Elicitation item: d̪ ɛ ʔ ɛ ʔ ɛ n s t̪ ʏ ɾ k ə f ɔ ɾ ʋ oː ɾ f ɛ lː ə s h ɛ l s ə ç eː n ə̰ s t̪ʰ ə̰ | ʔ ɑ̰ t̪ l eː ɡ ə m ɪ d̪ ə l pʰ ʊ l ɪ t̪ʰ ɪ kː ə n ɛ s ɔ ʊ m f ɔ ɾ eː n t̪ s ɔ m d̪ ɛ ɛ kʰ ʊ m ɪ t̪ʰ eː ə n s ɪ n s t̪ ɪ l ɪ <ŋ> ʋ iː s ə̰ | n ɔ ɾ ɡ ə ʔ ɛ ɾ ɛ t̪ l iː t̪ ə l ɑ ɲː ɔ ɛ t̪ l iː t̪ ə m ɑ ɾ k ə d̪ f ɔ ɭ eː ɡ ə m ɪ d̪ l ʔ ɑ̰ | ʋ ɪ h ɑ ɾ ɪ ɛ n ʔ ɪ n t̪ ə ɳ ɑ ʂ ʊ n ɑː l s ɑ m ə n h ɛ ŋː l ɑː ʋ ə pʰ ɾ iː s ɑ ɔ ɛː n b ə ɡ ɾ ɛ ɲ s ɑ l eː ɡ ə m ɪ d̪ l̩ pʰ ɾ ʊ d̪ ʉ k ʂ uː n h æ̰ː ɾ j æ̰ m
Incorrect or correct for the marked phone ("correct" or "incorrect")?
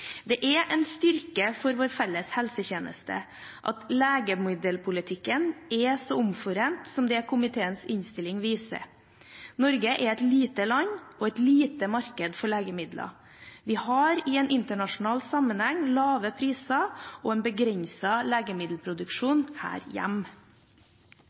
correct